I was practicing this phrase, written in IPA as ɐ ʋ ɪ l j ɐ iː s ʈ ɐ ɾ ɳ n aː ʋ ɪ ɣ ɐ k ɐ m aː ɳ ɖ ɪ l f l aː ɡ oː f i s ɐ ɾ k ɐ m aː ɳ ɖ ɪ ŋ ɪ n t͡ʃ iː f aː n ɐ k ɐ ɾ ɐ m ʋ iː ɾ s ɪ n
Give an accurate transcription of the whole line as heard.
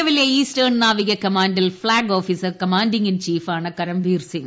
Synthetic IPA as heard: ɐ ʋ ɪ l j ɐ iː s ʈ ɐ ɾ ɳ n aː ʋ ɪ ɣ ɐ k ɐ m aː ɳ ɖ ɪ l f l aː ɡ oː f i s ɐ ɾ k ɐ m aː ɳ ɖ ɪ ŋ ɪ n t͡ʃ iː f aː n ɐ k ɐ ɾ ɐ m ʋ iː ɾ s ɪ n